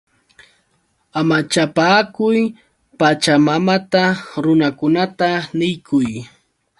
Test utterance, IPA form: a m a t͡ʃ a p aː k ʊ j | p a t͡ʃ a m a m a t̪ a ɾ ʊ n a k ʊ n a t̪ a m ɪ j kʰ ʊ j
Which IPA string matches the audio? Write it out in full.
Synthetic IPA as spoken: a m a t͡ʃ a p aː k ʊ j | p a t͡ʃ a m a m a t̪ a ɾ ʊ n a k ʊ n a t̪ a n ɪ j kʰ ʊ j